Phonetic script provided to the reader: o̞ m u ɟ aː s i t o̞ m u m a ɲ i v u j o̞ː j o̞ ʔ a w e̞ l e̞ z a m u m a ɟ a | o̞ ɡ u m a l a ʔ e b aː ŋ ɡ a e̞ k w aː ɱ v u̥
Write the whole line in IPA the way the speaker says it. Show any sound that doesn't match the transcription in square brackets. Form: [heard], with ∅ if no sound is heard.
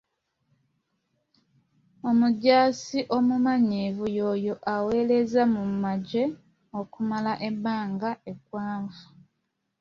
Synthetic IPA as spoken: o̞ m u ɟ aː s i [ʔ] o̞ m u m a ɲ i v u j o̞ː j o̞ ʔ a w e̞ l e̞ z a m u m a ɟ [e] | o̞ [k] u m a l a ʔ e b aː ŋ ɡ a e̞ k w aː ɱ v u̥